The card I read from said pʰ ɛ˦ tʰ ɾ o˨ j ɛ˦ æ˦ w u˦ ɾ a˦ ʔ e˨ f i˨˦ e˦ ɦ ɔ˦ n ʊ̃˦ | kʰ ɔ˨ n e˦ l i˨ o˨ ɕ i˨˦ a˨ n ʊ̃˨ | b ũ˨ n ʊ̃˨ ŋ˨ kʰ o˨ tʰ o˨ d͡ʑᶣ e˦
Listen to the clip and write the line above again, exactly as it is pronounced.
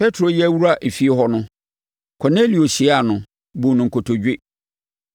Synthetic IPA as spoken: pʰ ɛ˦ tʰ ɾ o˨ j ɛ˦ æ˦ w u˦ ɾ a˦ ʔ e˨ f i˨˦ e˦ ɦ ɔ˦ n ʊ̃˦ | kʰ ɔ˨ n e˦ l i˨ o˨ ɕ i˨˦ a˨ n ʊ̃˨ | b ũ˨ n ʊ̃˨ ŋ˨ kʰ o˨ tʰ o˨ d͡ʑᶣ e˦